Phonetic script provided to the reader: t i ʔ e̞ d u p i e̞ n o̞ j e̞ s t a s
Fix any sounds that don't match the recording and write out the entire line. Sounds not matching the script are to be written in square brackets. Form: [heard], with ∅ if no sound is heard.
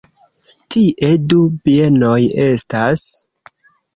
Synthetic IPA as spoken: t i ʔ e̞ d u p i e̞ n o̞ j e̞ s t a s